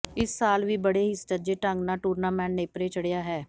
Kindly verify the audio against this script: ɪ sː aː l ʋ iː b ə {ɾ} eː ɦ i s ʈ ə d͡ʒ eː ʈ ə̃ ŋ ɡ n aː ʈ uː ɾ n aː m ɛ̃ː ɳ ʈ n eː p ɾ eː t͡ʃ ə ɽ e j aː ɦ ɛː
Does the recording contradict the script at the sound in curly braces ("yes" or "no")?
yes